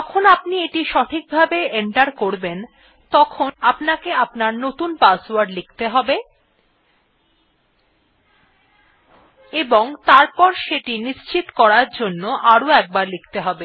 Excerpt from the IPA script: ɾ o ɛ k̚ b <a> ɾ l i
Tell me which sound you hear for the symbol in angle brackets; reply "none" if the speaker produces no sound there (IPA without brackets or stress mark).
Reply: a